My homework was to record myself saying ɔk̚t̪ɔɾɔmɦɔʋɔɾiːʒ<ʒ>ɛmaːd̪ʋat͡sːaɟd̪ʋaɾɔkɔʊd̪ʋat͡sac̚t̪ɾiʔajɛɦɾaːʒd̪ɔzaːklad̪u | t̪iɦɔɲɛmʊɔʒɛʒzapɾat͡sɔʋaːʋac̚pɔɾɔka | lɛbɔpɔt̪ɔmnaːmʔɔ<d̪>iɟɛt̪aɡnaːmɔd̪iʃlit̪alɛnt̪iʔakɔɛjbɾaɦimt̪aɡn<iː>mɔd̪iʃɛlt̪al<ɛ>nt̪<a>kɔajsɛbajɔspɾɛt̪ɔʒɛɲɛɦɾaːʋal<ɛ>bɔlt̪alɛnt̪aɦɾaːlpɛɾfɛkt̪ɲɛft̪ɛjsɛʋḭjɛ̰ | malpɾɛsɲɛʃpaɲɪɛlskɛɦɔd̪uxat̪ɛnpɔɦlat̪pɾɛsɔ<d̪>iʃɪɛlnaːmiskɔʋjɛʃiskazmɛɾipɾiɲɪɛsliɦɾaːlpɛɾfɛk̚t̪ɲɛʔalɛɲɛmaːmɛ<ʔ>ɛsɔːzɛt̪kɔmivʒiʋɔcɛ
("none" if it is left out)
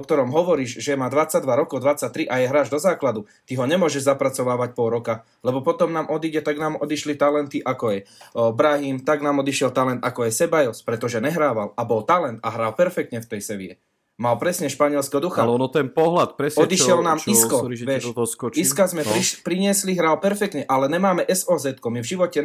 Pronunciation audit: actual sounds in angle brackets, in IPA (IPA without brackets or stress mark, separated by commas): ʒ, d̪, aː, ɛ, a, a, d̪, ʔ